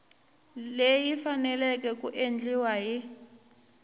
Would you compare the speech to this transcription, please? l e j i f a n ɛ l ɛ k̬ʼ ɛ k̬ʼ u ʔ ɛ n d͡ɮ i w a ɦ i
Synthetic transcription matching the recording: l e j i f a n ɛ l ɛ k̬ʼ ɛ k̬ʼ u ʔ e n d͡ɮ i w a ɦ i